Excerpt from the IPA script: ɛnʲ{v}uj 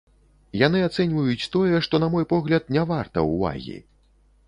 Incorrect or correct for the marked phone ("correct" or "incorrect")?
correct